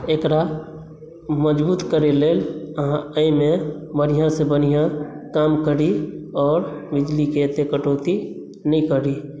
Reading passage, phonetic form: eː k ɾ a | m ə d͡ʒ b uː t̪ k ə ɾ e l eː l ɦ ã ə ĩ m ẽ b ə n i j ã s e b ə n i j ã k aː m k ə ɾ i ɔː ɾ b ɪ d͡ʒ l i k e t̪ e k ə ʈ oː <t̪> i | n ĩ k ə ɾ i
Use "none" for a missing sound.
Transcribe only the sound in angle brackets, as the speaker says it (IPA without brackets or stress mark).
t̪